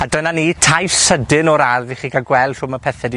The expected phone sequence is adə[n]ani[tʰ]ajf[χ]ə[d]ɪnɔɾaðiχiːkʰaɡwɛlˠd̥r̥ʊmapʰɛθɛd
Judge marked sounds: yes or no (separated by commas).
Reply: yes, yes, no, yes